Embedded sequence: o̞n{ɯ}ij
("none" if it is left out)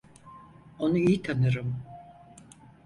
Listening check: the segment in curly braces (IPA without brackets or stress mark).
u